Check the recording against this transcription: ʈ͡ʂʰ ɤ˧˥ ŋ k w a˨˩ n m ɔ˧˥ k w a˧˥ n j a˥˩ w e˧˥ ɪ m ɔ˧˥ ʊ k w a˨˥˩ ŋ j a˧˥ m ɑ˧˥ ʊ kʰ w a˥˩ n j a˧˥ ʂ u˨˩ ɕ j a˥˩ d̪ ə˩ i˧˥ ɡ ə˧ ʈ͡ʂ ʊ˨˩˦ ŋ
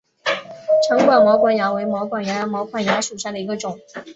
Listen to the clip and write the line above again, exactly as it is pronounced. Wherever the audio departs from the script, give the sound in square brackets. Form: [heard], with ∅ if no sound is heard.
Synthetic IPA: ʈ͡ʂʰ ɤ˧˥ ŋ k w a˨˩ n m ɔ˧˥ k w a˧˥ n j [a˧˥] w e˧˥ ɪ m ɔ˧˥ ʊ k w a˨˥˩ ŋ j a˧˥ m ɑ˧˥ ʊ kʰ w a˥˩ n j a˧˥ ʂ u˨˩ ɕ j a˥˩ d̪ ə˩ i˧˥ ɡ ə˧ ʈ͡ʂ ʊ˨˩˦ ŋ